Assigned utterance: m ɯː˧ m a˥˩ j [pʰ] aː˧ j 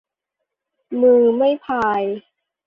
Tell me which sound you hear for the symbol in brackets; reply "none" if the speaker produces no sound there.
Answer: pʰ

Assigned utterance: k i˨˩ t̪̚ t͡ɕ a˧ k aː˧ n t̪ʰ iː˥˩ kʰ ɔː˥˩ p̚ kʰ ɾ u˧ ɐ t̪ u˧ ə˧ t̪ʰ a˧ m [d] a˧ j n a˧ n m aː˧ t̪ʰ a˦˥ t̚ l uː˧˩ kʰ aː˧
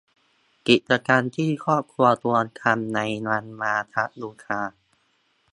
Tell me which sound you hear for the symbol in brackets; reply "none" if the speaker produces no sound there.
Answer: n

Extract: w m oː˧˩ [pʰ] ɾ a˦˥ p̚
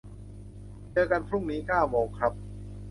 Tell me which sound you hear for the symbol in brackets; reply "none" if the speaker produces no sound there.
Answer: kʰ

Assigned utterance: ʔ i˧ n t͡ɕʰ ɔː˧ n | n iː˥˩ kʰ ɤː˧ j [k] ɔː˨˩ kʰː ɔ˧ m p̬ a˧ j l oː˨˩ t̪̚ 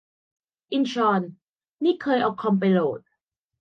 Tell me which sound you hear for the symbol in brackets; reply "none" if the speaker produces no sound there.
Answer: ʔ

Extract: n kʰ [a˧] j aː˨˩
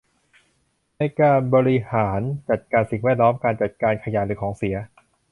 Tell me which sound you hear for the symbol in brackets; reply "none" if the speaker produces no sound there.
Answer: a˧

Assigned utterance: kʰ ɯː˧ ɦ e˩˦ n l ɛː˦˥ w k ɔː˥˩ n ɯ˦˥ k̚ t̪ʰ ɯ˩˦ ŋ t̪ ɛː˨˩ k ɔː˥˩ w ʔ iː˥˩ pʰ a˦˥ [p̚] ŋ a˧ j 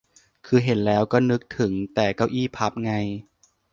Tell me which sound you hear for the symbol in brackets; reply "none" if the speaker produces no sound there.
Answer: p̚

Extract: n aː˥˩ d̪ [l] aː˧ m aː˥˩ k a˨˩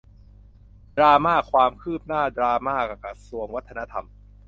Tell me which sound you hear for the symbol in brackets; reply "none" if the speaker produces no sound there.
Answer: ɾ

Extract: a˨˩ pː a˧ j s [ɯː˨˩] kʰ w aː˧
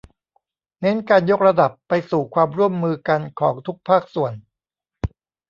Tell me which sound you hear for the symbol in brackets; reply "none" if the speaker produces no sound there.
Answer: uː˨˩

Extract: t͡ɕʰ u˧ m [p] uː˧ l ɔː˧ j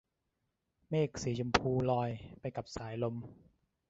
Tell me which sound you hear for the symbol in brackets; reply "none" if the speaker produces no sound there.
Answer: pʰ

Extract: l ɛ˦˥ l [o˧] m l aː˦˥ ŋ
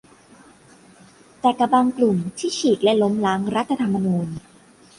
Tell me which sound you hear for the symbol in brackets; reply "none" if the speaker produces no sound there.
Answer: o˦˥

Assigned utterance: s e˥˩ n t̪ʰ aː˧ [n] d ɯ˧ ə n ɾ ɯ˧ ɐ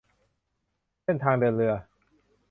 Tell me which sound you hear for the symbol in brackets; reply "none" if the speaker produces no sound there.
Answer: ŋ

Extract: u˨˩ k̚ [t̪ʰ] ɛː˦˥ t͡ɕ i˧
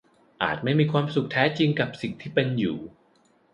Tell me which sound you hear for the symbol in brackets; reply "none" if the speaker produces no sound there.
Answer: t̪ʰ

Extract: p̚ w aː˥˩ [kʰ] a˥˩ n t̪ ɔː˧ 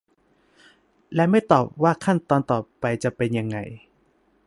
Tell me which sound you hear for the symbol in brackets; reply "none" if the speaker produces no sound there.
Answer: kʰ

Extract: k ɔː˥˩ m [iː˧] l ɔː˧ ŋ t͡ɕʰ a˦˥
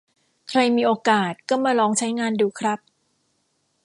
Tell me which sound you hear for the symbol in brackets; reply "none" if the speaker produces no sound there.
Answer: aː˧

